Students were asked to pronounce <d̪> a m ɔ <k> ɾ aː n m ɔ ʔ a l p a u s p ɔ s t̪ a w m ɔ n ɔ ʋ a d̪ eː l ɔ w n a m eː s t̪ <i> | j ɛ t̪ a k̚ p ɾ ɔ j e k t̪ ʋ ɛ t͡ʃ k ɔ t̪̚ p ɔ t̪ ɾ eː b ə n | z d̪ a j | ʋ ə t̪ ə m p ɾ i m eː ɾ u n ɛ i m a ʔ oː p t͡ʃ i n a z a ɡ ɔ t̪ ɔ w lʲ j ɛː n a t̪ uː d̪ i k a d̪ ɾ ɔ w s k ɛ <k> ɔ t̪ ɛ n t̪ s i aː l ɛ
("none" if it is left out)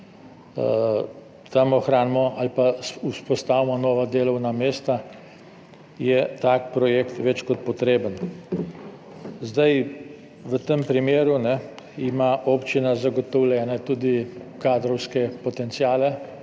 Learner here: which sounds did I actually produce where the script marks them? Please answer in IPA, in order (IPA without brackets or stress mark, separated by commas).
t̪, x, a, p